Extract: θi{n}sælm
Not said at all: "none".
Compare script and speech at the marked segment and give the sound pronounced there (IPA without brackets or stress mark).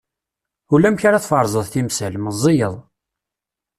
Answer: m